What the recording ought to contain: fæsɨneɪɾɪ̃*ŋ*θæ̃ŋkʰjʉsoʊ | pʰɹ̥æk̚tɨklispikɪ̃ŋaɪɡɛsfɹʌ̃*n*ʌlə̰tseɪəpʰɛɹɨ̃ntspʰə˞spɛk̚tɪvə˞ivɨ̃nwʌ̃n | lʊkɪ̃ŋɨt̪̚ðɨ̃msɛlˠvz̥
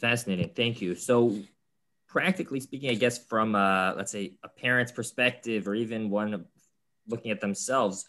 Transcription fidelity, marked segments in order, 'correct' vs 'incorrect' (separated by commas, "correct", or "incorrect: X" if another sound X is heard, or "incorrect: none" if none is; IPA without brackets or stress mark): correct, incorrect: m